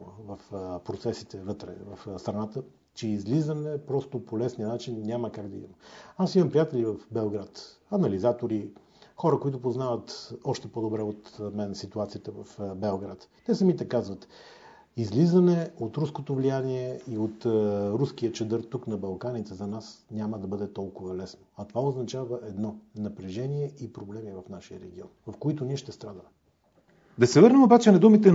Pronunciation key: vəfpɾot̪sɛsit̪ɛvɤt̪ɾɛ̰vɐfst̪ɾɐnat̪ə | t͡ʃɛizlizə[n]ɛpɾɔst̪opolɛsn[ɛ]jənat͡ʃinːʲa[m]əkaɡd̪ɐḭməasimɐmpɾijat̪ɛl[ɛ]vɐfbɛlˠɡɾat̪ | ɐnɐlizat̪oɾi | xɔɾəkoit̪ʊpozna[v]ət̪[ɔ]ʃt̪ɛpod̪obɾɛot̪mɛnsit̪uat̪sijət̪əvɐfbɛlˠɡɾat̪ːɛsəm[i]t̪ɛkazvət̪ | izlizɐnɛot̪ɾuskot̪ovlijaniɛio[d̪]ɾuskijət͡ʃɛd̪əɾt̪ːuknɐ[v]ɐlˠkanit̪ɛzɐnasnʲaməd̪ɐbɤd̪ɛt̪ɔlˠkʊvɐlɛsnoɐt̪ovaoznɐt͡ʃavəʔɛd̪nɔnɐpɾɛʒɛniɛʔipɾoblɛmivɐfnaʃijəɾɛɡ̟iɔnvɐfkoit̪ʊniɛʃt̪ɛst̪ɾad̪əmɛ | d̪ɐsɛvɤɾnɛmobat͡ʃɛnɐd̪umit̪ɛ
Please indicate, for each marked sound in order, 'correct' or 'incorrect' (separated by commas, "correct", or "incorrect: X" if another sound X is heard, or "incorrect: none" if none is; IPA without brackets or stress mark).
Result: correct, incorrect: i, correct, incorrect: i, correct, correct, correct, incorrect: t̪, incorrect: b